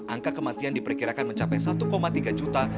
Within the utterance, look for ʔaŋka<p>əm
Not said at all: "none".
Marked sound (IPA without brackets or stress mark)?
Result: k